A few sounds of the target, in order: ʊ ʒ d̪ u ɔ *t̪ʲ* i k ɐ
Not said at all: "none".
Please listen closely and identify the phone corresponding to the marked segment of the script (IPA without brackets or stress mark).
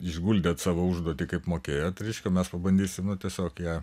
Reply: t̪ʲ